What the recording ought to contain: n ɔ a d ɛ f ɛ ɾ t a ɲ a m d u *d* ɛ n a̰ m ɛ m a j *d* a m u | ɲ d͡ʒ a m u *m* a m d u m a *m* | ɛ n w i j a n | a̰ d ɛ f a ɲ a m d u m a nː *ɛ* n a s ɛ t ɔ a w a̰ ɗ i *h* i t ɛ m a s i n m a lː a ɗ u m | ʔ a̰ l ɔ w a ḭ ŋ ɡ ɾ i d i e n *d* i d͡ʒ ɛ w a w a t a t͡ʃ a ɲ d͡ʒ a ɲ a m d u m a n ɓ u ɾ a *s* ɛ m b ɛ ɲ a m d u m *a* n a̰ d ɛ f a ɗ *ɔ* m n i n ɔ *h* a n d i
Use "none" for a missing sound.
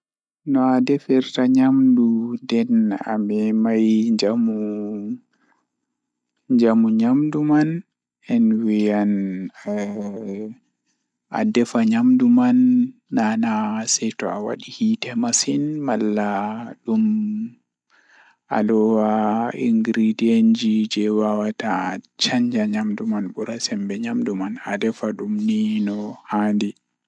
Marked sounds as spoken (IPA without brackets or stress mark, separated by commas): d, d͡ʒ, ɲ, n, a, h, d͡ʒ, s, a, u, h